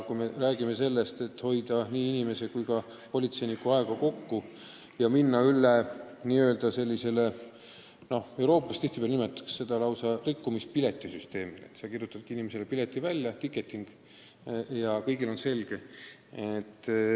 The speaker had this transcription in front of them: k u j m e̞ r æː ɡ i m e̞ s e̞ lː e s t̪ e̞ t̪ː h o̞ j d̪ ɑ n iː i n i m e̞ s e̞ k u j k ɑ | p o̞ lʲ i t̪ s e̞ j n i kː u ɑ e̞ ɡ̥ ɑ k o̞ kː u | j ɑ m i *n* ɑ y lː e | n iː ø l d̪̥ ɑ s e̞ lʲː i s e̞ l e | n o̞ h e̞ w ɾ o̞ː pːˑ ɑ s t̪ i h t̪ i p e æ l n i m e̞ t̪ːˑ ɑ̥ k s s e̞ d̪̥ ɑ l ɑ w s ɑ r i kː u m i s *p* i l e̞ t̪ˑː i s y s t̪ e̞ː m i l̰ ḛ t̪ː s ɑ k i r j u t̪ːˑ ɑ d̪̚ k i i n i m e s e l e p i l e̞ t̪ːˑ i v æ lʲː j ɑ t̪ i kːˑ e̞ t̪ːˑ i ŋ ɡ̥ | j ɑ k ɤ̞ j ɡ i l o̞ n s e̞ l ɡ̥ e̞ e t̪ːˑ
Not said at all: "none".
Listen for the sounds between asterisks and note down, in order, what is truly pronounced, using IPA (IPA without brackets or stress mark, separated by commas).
nː, p